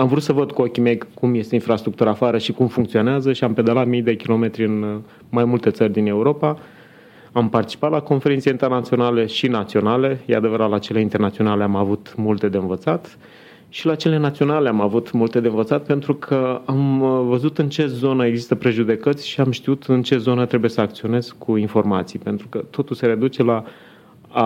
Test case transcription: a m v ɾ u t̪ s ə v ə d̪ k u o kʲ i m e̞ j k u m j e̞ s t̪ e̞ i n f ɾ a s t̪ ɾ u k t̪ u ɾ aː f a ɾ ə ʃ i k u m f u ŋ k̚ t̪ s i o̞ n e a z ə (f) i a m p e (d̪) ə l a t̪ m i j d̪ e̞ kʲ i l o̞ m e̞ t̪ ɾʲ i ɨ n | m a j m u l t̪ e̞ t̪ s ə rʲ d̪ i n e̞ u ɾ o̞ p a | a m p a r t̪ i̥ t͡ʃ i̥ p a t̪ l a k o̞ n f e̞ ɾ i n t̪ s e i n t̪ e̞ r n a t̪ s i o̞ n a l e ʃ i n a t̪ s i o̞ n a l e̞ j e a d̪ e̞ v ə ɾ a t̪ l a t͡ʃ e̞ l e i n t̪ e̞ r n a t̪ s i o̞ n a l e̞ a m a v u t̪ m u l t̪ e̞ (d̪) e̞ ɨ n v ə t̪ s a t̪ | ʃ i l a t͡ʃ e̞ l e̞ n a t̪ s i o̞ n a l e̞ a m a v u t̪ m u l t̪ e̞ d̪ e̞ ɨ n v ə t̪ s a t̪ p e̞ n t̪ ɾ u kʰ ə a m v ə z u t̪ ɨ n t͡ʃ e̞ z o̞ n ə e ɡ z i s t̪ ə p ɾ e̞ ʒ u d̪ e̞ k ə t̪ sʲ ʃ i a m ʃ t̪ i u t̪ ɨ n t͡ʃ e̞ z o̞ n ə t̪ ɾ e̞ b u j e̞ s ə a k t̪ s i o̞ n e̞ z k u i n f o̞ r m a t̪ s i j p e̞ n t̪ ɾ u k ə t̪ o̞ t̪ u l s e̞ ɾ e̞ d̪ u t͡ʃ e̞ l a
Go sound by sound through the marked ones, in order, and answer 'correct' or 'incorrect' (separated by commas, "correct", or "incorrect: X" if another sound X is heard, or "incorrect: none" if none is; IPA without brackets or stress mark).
incorrect: ʃ, correct, correct